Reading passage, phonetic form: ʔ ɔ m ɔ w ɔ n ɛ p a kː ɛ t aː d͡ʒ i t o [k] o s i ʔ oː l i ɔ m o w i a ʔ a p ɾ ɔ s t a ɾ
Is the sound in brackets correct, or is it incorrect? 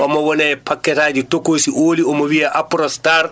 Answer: correct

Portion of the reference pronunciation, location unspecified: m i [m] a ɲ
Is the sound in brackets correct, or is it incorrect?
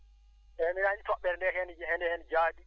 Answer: incorrect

